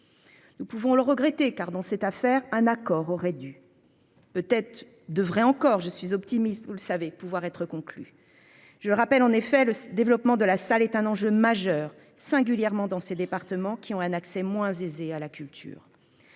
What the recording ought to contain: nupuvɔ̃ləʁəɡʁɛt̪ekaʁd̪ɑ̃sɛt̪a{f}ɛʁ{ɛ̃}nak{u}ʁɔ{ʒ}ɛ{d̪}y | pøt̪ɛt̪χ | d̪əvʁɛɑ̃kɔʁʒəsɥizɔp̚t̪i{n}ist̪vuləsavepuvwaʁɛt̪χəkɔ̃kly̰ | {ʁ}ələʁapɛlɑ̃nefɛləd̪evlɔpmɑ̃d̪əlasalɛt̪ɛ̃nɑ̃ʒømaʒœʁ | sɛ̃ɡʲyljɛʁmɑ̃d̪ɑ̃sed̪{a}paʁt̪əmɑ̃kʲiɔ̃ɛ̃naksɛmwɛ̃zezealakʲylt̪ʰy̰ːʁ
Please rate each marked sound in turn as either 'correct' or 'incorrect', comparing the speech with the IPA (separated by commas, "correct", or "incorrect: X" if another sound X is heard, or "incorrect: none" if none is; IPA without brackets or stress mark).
correct, correct, incorrect: ɔ, incorrect: ʁ, correct, incorrect: m, incorrect: ʒ, incorrect: e